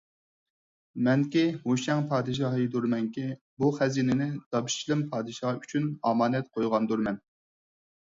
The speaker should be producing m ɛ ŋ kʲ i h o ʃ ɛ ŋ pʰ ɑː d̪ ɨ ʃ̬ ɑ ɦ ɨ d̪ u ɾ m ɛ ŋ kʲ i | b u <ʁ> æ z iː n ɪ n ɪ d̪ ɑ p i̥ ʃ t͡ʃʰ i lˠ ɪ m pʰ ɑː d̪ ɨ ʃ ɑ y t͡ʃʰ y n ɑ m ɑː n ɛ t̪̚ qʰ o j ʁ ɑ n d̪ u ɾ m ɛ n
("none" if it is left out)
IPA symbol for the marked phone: χ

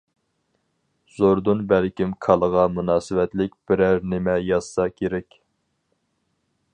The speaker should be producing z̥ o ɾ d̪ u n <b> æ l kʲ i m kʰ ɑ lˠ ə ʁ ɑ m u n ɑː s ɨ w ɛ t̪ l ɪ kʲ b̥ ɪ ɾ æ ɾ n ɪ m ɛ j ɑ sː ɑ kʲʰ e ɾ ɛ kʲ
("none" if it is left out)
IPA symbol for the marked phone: b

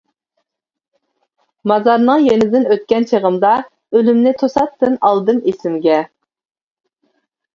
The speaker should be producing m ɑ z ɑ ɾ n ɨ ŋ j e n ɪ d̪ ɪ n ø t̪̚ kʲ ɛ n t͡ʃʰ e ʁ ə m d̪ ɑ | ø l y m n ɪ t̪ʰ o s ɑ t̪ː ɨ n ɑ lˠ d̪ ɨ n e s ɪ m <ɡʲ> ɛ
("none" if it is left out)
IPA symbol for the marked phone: ɡʲ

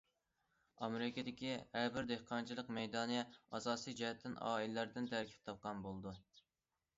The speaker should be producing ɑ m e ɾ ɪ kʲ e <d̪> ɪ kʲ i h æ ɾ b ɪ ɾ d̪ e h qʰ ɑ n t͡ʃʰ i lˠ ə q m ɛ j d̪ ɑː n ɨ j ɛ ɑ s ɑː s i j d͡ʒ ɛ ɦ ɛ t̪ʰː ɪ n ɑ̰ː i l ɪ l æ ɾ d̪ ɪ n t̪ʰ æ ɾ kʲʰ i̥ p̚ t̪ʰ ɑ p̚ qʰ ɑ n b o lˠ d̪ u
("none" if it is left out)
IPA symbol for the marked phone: d̪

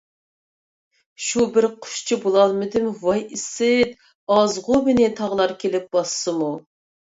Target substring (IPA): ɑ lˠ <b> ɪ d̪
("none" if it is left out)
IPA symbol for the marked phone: m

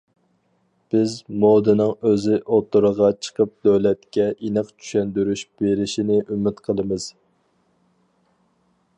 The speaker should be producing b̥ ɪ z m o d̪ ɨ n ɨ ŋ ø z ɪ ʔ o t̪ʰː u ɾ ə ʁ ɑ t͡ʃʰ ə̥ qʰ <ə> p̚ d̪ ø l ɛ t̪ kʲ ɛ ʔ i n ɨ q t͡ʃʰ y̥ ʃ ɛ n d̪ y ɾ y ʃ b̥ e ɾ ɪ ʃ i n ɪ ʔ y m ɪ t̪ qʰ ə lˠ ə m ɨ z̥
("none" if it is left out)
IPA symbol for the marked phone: ə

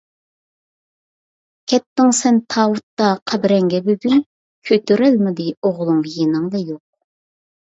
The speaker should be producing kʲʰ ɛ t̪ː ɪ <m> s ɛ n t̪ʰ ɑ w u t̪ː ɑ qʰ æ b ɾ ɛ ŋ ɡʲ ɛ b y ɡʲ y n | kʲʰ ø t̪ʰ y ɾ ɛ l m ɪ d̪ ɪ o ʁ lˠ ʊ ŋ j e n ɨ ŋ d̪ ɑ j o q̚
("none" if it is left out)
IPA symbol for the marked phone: ŋ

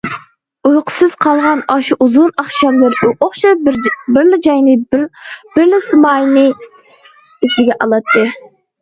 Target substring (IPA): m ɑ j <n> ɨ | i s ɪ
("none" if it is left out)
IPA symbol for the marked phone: n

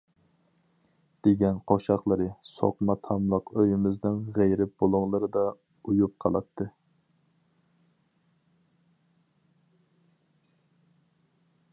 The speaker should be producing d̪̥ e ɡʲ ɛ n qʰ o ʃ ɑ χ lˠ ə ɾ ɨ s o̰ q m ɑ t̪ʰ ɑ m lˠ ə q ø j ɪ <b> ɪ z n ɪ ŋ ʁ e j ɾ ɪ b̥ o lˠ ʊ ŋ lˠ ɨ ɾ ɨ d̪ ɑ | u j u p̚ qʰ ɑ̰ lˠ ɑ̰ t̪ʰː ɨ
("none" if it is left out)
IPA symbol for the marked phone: m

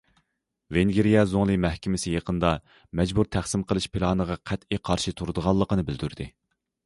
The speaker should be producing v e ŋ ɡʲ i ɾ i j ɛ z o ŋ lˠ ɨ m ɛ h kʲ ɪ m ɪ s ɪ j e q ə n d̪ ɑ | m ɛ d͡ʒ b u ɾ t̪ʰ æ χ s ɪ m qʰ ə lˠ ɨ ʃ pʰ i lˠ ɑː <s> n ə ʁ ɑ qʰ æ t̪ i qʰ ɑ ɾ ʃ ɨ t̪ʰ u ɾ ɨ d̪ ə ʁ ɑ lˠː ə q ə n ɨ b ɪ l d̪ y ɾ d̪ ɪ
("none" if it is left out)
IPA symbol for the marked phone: none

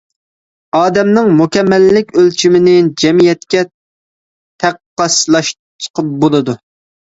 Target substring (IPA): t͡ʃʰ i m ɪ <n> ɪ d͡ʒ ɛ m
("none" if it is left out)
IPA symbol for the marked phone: n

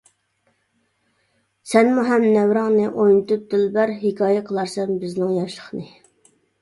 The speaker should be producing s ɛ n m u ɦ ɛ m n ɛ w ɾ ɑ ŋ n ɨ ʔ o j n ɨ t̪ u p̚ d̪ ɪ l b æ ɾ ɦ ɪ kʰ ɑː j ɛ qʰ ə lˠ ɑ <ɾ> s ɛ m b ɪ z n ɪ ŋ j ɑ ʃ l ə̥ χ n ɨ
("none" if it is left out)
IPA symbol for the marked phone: ɾ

